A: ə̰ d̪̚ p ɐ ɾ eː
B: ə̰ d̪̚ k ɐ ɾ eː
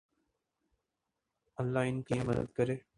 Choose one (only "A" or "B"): B